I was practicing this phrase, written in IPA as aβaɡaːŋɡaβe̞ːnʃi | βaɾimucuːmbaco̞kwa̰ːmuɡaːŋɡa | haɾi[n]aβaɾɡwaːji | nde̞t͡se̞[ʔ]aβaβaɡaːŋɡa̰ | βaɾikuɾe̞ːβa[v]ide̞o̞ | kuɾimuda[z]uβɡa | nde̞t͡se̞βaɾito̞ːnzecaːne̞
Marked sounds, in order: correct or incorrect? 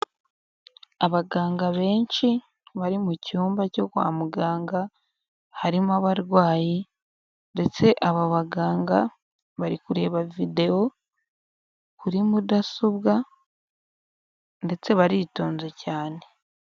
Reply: incorrect: m, correct, correct, incorrect: s

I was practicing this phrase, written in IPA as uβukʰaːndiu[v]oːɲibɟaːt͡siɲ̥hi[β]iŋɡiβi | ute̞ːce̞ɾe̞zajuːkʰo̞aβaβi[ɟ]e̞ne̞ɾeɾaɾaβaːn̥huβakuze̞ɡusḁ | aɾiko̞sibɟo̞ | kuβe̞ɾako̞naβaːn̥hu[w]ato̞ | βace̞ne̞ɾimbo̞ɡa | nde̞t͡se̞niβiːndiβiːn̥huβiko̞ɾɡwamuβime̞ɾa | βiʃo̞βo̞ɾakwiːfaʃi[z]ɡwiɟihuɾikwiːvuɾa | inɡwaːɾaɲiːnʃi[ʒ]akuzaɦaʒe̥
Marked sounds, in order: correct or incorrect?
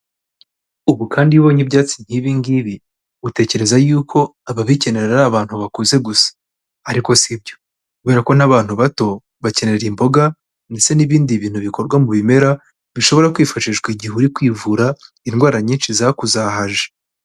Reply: incorrect: β, correct, incorrect: c, incorrect: β, incorrect: ʒ, incorrect: z

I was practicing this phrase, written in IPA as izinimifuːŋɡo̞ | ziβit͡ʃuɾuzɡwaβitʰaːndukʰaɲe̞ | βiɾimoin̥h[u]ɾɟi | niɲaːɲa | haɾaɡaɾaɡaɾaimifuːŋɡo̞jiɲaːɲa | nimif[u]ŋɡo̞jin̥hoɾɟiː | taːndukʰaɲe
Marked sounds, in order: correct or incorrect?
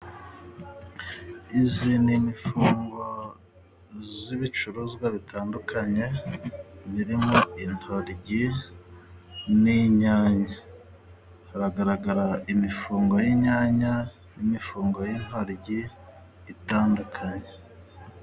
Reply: incorrect: o, incorrect: uː

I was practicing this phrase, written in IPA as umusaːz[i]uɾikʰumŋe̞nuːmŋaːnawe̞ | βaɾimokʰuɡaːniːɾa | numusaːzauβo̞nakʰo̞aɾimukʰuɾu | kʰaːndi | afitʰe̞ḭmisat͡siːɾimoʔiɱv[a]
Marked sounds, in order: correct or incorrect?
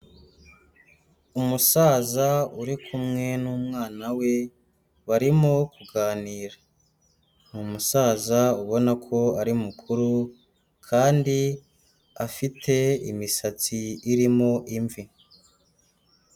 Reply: incorrect: a, incorrect: i

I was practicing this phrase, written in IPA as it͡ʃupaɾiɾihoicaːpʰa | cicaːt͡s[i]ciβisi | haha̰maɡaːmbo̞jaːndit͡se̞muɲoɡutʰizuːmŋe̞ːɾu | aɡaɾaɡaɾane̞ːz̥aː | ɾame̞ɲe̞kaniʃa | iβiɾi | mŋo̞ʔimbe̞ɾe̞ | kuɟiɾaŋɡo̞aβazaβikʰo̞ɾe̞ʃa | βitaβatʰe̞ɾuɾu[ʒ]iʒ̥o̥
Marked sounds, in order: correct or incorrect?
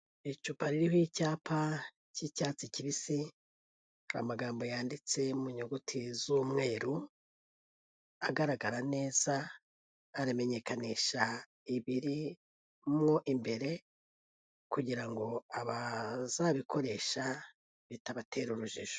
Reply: correct, correct

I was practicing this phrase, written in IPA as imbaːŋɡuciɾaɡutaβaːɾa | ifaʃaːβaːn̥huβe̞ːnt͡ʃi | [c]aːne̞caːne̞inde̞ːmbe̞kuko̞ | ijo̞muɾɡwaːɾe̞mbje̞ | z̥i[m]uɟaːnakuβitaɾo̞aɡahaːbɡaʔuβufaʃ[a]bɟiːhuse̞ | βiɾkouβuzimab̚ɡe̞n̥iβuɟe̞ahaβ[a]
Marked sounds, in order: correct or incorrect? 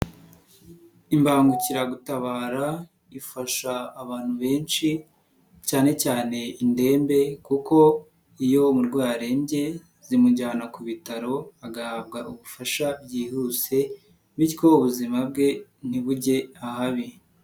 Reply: correct, correct, correct, incorrect: i

